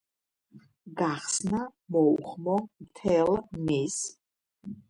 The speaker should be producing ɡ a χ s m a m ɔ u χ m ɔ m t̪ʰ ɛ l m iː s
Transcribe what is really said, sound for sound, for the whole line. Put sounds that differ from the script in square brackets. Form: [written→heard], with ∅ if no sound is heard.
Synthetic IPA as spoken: ɡ a χ s [m→n] a m ɔ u χ m ɔ m t̪ʰ ɛ l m [iː→i] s